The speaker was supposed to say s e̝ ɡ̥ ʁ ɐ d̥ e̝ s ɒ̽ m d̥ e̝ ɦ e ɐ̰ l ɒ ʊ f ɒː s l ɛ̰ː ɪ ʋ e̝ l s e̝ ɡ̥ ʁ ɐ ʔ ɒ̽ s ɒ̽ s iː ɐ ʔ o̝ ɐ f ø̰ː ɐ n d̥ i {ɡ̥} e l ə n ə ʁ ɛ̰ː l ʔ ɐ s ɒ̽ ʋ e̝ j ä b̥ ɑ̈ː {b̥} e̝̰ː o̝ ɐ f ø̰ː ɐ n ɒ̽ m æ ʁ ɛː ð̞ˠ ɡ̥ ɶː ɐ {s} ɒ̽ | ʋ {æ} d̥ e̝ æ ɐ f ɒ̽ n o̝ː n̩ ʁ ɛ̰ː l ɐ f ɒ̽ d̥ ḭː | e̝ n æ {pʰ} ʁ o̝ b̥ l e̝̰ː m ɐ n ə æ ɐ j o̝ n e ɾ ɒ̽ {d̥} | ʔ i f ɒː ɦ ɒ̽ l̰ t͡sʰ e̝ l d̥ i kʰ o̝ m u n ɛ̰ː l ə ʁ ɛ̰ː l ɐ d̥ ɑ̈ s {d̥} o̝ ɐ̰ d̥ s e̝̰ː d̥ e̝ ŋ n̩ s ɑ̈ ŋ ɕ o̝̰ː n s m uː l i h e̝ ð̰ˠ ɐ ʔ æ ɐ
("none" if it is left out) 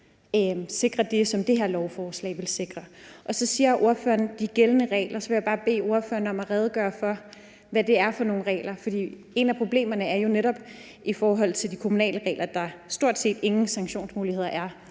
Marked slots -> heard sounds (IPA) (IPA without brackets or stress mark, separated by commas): ɡ̥, b̥, f, æ, pʰ, b̥, d̥